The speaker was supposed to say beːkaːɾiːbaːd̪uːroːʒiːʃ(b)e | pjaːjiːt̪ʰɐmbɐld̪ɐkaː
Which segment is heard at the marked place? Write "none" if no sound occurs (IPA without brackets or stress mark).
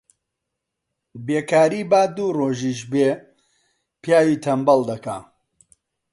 b